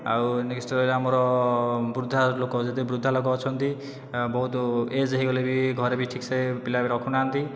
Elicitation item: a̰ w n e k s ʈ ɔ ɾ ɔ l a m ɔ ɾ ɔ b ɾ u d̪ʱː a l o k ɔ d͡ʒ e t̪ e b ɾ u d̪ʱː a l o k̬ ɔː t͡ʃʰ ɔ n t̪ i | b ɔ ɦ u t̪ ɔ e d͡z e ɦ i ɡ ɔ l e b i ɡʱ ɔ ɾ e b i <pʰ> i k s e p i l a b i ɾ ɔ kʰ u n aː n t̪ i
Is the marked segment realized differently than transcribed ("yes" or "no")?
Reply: yes